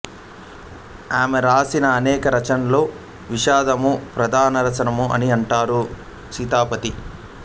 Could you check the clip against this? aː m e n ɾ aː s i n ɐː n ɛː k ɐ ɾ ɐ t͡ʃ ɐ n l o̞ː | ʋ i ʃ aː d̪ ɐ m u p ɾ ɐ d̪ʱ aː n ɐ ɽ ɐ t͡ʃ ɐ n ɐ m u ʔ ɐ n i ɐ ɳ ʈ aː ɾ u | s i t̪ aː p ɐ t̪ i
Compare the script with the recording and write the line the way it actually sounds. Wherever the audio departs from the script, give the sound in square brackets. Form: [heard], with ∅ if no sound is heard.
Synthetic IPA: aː m e [∅] ɾ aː s i n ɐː n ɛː k ɐ ɾ ɐ t͡ʃ ɐ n l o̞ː | ʋ i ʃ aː d̪ ɐ m u p ɾ ɐ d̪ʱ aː n ɐ [ɾ] ɐ t͡ʃ ɐ n ɐ m u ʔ ɐ n i ɐ ɳ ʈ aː ɾ u | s i t̪ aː p ɐ t̪ i